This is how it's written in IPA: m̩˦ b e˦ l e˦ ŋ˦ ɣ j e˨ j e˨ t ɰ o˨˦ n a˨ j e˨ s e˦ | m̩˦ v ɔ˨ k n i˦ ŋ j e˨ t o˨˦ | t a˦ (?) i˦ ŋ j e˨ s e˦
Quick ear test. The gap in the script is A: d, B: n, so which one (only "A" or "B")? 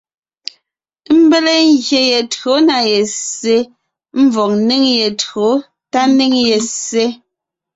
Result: B